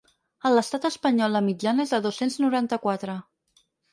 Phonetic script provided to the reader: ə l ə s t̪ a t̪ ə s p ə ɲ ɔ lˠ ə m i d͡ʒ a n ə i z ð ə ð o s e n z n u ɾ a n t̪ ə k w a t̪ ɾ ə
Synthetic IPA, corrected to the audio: ə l ə s t̪ a t̪ ə s p ə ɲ ɔ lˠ ə m i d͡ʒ a n ə e z ð ə ð o s e n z n u ɾ a n t̪ ə k w a t̪ ɾ ə